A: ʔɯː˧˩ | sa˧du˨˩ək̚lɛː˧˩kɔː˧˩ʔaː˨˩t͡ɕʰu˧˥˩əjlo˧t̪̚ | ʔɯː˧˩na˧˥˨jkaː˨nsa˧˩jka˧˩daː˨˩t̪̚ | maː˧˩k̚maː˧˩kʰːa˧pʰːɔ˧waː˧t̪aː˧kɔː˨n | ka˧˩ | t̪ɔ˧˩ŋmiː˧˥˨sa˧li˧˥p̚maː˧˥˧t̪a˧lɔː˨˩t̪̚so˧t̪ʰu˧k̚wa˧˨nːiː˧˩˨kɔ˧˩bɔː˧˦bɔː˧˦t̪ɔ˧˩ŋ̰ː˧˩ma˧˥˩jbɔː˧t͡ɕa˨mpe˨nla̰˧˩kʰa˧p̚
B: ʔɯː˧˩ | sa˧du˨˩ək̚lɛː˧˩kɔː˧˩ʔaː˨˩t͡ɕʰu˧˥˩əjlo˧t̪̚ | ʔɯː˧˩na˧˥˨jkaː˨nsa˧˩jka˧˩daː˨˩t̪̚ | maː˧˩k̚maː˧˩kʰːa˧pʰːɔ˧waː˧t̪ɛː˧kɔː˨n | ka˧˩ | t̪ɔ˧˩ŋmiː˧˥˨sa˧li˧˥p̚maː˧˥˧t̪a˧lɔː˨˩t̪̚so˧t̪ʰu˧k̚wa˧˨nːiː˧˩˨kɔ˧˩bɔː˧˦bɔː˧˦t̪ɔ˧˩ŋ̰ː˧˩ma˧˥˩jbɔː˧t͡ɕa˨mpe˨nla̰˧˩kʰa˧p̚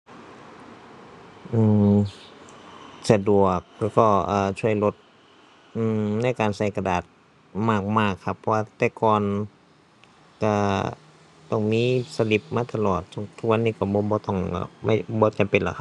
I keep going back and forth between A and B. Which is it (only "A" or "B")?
B